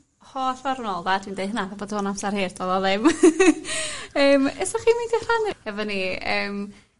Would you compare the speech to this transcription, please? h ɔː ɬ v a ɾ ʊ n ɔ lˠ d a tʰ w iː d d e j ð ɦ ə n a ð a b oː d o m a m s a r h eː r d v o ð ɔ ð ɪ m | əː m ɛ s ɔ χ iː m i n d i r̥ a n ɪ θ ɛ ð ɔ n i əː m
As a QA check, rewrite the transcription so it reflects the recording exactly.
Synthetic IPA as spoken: h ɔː ɬ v a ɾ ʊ n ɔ lˠ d a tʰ w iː n d e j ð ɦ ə n a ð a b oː d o n a m s a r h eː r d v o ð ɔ ð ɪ m | əː m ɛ s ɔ χ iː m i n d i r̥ a n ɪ h ɛ v ɔ n i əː m